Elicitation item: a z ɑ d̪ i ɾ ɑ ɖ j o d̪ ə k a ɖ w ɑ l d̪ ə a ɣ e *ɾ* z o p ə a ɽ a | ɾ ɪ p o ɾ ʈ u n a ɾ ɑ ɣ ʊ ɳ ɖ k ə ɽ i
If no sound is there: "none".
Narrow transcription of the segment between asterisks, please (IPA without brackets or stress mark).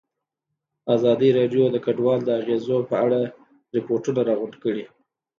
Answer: none